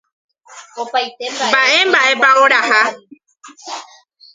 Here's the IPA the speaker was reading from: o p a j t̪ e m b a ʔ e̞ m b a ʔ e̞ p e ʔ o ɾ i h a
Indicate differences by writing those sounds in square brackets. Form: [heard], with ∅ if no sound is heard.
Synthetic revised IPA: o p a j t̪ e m b a ʔ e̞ m b a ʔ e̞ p [a] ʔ o ɾ [a] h a